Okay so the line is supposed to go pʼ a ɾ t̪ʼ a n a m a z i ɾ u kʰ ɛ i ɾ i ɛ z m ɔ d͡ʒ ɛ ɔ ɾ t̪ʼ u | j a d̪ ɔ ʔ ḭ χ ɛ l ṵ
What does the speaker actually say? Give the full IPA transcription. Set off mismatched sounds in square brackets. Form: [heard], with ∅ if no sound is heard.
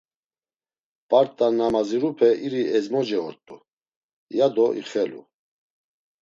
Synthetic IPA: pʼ a ɾ t̪ʼ a n a m a z i ɾ u [pʰ] ɛ i ɾ i ɛ z m ɔ d͡ʒ ɛ ɔ ɾ t̪ʼ u | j a d̪ ɔ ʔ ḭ χ ɛ l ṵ

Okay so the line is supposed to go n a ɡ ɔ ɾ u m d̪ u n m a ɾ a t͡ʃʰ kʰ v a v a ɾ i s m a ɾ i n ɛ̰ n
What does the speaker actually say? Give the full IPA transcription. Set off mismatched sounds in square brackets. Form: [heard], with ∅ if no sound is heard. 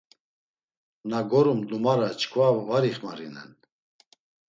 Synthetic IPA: n a ɡ ɔ ɾ u m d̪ u [∅] m a ɾ a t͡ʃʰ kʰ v a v a ɾ i [χ] m a ɾ i n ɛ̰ n

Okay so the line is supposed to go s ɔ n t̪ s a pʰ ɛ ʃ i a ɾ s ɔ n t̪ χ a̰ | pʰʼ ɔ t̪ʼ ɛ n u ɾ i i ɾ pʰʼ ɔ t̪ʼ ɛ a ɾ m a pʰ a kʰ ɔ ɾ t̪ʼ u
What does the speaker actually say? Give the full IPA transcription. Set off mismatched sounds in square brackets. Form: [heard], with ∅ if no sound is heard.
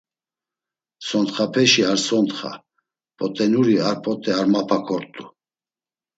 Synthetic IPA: s ɔ n t̪ [χ] a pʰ ɛ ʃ i a ɾ s ɔ n t̪ χ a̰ | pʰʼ ɔ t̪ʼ ɛ n u ɾ i [a] ɾ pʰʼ ɔ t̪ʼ ɛ a ɾ m a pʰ a kʰ ɔ ɾ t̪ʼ u

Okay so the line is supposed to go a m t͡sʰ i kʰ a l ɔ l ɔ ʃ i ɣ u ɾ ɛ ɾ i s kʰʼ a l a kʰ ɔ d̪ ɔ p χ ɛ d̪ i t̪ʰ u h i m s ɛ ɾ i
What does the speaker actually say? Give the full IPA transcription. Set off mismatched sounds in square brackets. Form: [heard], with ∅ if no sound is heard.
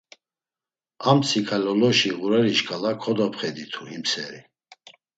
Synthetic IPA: a m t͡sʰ i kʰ a l ɔ l ɔ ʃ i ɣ u ɾ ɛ ɾ i [ʃ] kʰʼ a l a kʰ ɔ d̪ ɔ p χ ɛ d̪ i t̪ʰ u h i m s ɛ ɾ i

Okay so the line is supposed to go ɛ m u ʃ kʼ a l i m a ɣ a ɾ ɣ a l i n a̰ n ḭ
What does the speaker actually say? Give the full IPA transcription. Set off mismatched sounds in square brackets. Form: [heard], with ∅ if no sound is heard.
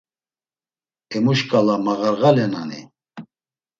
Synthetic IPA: ɛ m u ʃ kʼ a l [a] m a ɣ a ɾ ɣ a l [ɛ] n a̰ n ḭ

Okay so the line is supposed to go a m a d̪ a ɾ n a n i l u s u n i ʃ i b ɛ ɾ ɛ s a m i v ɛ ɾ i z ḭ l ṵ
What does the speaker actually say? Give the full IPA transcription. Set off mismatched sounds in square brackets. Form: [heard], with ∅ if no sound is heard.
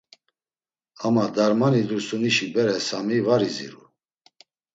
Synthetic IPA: a m a d̪ a ɾ [m] a n i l u s u n i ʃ i b ɛ ɾ ɛ s a m i v [a] ɾ i z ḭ [ɾ] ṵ

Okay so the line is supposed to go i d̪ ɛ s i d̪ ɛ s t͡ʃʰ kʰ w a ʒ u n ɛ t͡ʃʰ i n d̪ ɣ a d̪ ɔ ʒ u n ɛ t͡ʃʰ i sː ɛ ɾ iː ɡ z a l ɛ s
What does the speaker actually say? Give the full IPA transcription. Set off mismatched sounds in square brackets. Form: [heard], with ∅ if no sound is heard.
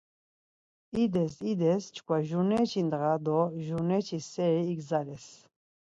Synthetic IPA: i d̪ ɛ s i d̪ ɛ s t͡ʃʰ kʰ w a ʒ u n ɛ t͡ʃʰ i n d̪ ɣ a d̪ ɔ ʒ u n ɛ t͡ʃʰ i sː ɛ ɾ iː ɡ z a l ɛ s

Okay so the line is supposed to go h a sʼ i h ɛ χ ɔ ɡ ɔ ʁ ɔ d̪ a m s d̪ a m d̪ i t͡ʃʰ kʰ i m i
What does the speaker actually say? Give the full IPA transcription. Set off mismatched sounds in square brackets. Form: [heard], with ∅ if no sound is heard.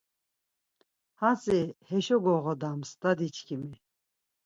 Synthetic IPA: h a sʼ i h ɛ [ʃ] ɔ ɡ ɔ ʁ ɔ d̪ a m s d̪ a [∅] d̪ i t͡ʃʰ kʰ i m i

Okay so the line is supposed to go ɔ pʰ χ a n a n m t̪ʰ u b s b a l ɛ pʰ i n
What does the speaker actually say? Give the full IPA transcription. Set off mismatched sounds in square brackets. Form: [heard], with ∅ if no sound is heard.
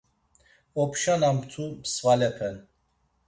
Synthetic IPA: ɔ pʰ [ʃ] a n a [∅] m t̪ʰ u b s [v] a l ɛ pʰ [ɛ] n

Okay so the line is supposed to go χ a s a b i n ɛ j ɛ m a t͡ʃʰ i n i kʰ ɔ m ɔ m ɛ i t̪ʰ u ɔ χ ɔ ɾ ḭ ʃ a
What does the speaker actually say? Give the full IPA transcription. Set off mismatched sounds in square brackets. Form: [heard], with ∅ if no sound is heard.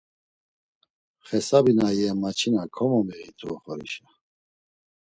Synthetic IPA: χ [ɛ] s a b i n [a] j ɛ m a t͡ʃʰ i n [a] kʰ ɔ m ɔ m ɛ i t̪ʰ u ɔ χ ɔ ɾ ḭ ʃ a

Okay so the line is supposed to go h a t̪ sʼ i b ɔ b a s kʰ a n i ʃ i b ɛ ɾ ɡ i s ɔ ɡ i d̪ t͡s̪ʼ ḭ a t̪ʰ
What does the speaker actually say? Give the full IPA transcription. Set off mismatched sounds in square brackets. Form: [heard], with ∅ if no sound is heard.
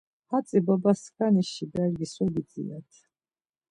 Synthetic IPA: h a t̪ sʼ i b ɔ b a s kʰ a n i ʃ i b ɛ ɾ ɡ i s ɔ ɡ i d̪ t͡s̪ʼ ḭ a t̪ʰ

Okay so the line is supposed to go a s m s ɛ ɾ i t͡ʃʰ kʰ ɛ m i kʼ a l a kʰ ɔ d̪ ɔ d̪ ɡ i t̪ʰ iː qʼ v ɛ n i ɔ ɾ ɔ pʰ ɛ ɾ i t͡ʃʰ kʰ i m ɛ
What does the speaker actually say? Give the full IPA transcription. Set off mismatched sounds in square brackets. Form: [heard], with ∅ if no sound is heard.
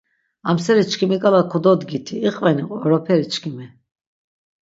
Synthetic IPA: a [∅] m s ɛ ɾ i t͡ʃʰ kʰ [i] m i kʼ a l a kʰ ɔ d̪ ɔ d̪ ɡ i t̪ʰ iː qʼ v ɛ n i ɔ ɾ ɔ pʰ ɛ ɾ i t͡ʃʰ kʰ i m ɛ

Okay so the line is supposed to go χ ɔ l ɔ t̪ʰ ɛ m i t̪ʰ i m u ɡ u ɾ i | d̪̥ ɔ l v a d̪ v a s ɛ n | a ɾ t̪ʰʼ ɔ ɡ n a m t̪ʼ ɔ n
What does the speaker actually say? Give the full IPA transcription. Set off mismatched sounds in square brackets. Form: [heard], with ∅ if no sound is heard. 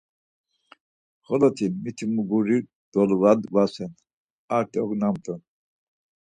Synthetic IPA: χ ɔ l ɔ t̪ʰ [i] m i t̪ʰ i m u ɡ u ɾ i | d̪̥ ɔ l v a d̪ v a s ɛ n | a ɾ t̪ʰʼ ɔ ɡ n a m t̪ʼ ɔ n

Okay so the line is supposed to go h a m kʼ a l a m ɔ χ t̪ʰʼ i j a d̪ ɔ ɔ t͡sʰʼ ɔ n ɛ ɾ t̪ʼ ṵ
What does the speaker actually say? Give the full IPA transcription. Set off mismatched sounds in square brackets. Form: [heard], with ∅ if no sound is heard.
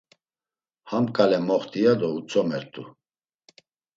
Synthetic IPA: h a m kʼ a l [ɛ] m ɔ χ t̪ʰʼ i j a d̪ ɔ [u] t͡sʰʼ ɔ [m] ɛ ɾ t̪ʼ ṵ

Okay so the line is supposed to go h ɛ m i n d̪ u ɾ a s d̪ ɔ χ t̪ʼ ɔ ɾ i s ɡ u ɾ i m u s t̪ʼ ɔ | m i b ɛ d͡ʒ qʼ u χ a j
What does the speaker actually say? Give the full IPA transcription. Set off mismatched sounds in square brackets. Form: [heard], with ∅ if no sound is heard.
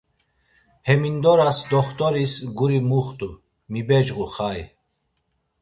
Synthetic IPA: h ɛ m i n d̪ [ɔ] ɾ a s d̪ ɔ χ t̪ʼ ɔ ɾ i s ɡ u ɾ i m u [χ] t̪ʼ [u] | m i b ɛ d͡ʒ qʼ u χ a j

